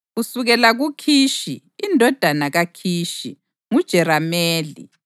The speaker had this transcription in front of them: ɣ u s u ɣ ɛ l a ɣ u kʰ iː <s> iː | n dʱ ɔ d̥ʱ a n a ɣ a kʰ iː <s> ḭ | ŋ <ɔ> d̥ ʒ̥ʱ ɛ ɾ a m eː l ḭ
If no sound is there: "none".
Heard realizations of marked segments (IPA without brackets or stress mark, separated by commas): ʃ, ʃ, u